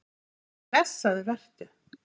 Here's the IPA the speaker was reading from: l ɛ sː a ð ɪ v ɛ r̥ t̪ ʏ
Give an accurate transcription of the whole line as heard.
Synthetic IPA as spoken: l ɛ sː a ð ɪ v ɛ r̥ t̪ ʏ

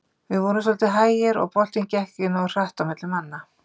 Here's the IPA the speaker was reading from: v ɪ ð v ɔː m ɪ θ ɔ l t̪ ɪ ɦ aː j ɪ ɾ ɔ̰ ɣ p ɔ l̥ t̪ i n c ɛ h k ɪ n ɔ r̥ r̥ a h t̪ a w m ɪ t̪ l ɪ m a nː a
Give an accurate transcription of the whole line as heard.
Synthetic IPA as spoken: v ɪ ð v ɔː n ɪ s ɔ l t̪ ɪ ɦ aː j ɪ ɾ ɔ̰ ɣ p ɔ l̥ t̪ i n c ɛ h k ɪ n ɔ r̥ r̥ a h t̪ a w m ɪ t̪ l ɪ m a nː a

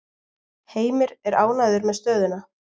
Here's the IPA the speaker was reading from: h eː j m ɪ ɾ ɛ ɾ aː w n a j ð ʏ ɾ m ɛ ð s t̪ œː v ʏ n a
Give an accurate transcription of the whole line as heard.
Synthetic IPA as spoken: h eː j m ɪ ɾ ɛ ɾ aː w n a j ð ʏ ɾ m ɛ ð s t̪ œː ð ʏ n a

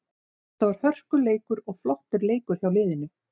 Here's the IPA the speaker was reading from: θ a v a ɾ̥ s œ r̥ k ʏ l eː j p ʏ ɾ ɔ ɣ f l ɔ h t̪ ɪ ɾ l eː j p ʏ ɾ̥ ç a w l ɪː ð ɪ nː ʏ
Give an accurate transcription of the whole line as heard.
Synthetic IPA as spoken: θ a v a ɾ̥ h œ r̥ k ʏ l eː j k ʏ ɾ ɔ ɣ f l ɔ h t̪ ɪ ɾ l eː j k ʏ ɾ̥ ç a w l ɪː ð ɪ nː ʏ

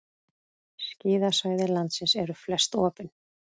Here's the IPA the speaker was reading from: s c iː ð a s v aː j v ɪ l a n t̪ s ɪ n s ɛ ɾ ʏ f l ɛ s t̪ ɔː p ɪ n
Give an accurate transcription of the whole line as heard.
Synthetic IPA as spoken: s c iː ð a s v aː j ð ɪ l a n t̪ s ɪ n s ɛ ɾ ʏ f l ɛ s t̪ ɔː p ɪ n

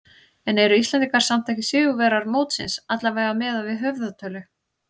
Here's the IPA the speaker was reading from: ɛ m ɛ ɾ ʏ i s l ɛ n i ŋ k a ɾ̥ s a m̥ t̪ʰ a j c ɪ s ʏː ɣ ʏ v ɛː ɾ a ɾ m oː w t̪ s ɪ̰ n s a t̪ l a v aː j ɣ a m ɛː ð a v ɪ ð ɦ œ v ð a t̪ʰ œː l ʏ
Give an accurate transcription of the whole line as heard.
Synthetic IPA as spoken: ɛ n ɛ ɾ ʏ i s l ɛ n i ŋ k a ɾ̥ s a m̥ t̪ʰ a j c ɪ s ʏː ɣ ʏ v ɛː ɾ a ɾ m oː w t̪ s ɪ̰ n s a t̪ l a v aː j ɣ a m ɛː ð a v ɪ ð ɦ œ v ð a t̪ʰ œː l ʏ

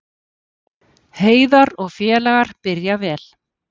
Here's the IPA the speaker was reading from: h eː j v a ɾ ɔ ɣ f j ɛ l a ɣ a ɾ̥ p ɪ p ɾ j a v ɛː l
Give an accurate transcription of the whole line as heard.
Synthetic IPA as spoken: h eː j ð a ɾ ɔ ɣ f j ɛː l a ɣ a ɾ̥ p ɪ ɾ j a v ɛː l

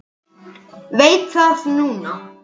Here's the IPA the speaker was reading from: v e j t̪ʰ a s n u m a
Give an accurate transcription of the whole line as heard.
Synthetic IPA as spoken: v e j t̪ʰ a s n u n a

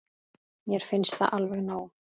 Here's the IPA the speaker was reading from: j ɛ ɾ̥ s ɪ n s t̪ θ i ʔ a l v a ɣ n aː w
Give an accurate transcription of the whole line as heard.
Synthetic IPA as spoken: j ɛ ɾ̥ f ɪ n s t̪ θ a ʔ a l v ɛ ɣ n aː w

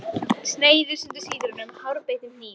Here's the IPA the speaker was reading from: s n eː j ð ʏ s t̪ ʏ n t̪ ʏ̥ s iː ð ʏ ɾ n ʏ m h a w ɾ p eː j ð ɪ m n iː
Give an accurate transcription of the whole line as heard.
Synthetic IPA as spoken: s n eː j ð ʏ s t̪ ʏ n t̪ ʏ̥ s iː ð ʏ ɾ n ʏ m h a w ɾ p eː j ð ɪ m n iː

